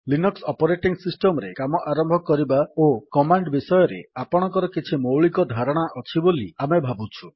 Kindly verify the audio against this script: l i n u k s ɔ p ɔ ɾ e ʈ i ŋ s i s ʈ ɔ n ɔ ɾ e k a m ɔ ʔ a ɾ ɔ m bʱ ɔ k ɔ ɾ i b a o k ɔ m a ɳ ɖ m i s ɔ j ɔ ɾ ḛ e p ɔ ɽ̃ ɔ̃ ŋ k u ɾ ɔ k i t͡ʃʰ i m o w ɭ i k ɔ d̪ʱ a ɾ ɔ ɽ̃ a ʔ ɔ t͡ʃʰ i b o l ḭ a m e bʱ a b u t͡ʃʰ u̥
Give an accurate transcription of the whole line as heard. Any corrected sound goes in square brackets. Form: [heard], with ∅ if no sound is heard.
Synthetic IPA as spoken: l i n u k s ɔ p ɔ ɾ e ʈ i ŋ s i s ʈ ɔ [m] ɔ ɾ e k a m ɔ ʔ a ɾ ɔ m bʱ ɔ k ɔ ɾ i b a o k ɔ m a ɳ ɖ [b] i s ɔ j ɔ ɾ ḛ [a] p ɔ ɽ̃ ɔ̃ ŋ k [ɔ] ɾ ɔ k i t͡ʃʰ i m o w ɭ i k ɔ d̪ʱ a ɾ ɔ ɽ̃ a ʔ ɔ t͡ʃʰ i b o l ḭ a m e bʱ a b u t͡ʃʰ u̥